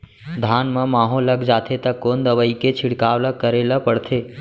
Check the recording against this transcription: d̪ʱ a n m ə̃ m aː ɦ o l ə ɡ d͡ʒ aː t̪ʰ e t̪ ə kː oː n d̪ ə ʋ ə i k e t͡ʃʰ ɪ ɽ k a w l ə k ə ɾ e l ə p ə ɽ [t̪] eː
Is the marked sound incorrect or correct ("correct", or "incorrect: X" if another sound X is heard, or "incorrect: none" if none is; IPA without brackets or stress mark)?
incorrect: t̪ʰ